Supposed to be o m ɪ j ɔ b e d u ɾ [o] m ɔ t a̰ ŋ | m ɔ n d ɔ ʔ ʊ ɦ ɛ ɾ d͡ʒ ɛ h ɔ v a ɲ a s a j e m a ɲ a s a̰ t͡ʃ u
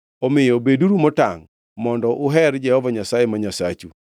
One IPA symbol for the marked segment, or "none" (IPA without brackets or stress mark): u